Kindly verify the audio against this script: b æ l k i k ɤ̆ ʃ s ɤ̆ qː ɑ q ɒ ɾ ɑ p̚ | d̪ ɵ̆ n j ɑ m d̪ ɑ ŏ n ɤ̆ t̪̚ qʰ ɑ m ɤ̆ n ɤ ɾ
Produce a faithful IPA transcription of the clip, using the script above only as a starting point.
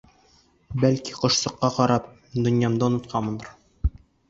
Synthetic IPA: b æ l k i q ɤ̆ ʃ s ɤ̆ qː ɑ q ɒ ɾ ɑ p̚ | d̪ ɵ̆ n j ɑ m d̪ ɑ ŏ n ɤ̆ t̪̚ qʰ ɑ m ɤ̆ n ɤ ɾ